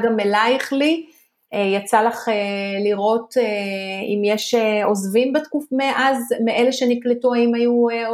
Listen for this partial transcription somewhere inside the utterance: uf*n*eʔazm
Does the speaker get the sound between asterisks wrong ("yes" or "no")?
yes